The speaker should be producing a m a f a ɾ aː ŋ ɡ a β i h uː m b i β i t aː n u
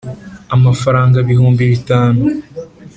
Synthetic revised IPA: a m a f a ɾ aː ŋ ɡ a β i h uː m b i β i t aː n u